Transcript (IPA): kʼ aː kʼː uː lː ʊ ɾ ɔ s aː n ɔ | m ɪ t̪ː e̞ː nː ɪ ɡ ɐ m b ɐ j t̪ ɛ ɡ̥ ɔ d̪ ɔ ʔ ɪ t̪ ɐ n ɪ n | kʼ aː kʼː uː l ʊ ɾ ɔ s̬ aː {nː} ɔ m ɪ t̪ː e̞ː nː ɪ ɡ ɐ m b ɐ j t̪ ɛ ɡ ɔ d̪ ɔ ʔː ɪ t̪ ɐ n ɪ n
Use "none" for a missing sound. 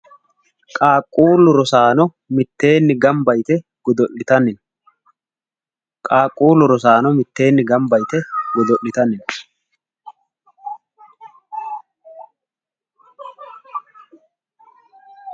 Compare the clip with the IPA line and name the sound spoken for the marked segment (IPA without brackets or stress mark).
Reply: n